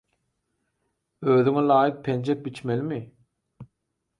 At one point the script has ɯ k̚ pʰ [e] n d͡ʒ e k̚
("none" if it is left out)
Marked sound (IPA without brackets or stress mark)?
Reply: e